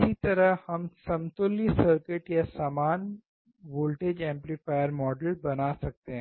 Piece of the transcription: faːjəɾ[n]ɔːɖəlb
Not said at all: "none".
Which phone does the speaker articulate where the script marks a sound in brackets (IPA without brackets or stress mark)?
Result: m